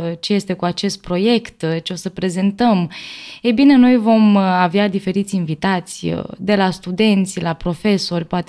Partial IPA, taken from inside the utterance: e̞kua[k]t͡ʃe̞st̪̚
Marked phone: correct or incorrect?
incorrect